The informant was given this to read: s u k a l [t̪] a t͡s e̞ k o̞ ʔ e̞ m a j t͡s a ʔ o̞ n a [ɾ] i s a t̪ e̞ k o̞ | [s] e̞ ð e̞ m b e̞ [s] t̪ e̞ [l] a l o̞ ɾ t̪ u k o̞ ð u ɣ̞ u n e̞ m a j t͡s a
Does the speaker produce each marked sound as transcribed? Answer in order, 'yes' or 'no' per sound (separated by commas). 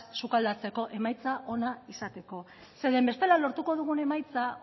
no, no, yes, yes, yes